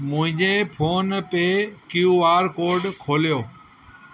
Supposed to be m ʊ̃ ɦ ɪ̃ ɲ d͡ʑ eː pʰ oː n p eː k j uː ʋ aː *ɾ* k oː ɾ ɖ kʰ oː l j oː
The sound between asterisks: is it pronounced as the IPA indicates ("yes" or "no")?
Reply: yes